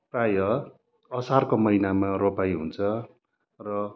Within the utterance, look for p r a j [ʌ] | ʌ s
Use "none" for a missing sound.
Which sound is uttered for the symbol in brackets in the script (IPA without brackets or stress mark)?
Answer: ʌ